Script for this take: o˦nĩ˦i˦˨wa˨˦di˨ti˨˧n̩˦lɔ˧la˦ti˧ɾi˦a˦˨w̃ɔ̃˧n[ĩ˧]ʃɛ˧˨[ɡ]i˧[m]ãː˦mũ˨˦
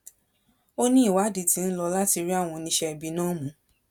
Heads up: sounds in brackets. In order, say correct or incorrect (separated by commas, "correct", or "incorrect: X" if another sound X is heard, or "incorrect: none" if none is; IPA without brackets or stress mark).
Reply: correct, incorrect: b, incorrect: n